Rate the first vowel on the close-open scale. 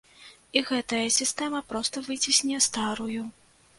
close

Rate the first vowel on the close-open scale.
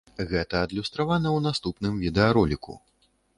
mid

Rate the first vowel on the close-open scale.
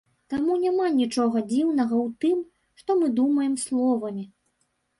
open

